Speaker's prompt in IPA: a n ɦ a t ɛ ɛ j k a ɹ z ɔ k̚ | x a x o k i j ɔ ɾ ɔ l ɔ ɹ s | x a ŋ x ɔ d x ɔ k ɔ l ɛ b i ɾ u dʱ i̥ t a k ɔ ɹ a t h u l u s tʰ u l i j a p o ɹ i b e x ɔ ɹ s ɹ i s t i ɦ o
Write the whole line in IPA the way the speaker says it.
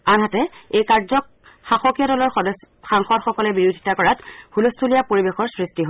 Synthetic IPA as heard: a n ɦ a t ɛ e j k a ɹ z ɔ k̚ | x a x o k i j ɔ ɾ ɔ l ɔ ɹ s | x a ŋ x ɔ d x ɔ k ɔ l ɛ b i ɹ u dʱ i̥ t a k ɔ ɹ a t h u l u s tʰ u l i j a p o ɹ i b e x ɔ ɹ s ɹ i s t i ɦ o